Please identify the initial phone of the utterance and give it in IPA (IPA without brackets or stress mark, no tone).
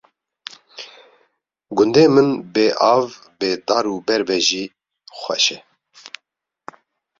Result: ɡ